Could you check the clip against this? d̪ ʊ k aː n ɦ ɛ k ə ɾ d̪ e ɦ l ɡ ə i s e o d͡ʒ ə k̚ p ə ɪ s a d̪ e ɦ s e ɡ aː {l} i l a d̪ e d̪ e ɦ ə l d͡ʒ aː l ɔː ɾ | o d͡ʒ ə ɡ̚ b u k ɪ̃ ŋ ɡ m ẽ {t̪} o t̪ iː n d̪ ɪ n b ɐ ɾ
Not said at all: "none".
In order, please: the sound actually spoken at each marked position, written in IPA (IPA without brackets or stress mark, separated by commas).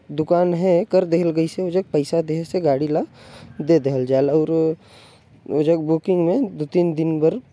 ɽ, d̪